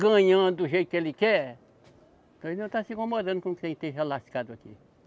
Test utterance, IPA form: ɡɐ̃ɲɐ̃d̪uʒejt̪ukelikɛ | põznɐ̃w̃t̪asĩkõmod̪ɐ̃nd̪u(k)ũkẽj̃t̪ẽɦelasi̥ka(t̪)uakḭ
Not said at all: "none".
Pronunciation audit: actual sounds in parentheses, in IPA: k, d̪

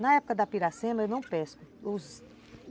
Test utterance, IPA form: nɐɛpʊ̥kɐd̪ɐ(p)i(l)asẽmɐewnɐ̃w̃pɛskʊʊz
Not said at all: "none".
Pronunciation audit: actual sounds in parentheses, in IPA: p, ɾ

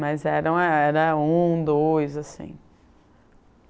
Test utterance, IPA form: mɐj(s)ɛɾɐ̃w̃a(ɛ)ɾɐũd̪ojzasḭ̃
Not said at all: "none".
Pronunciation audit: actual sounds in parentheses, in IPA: z, ɛ

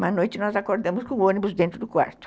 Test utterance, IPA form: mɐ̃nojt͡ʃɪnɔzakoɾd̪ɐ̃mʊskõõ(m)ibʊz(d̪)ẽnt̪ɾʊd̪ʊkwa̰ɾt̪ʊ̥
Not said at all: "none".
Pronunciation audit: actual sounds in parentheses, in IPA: n, d̪

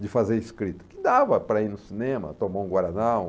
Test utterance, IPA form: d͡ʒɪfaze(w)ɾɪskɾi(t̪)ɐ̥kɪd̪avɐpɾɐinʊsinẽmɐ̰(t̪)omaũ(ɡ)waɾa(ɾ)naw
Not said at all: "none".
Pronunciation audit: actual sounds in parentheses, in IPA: none, t̪, t̪, ɡ, none

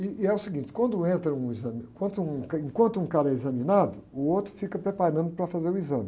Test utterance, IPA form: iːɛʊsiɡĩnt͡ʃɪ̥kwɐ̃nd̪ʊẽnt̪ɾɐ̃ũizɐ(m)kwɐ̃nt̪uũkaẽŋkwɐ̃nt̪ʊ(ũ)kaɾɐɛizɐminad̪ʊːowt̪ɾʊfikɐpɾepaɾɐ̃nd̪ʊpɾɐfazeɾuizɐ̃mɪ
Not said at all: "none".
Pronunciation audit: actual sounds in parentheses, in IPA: m, ũ

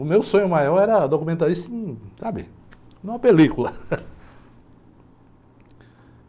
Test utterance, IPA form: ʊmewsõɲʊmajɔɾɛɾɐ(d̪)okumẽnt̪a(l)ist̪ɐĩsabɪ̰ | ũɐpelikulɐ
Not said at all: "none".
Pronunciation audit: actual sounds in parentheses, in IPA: d̪, ɾ

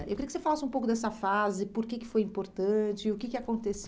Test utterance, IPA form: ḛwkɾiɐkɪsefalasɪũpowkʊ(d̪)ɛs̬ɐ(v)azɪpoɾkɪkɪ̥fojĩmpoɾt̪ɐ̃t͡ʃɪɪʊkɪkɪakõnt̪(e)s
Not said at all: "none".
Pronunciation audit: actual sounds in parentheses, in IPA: d̪, f, e

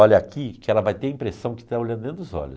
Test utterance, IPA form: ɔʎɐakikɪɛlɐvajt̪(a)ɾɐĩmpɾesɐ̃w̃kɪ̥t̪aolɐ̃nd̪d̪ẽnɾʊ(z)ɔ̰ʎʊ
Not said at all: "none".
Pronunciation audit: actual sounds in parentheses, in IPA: e, z

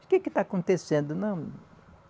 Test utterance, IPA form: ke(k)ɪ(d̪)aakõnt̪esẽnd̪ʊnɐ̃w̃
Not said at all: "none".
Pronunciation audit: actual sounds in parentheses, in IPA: k, t̪

